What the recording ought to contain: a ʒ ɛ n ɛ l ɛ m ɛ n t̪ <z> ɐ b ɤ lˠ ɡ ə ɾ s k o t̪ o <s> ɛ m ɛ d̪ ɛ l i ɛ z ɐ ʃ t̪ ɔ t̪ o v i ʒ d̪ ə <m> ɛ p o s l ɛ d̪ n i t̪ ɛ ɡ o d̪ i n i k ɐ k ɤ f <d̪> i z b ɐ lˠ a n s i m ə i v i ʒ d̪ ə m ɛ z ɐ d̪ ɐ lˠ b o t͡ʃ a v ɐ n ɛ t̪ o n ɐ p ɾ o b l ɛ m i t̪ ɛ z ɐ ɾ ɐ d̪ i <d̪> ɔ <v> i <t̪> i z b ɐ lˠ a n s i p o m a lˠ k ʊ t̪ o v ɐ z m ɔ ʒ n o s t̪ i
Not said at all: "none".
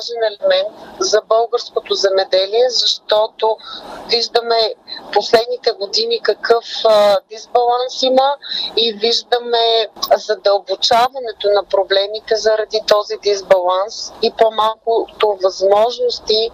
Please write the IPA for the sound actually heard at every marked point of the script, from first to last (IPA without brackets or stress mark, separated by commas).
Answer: z, z, m, d̪, t̪, z, d̪